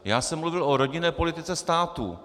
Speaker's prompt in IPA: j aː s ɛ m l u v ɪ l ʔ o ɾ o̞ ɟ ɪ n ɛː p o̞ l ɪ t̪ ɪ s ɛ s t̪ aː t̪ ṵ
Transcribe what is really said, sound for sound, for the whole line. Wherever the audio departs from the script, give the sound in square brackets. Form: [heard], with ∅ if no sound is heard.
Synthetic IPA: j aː s ɛ m l u v ɪ l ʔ o ɾ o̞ ɟ ɪ n ɛː p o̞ l ɪ t̪ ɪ [t͡s] ɛ s t̪ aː t̪ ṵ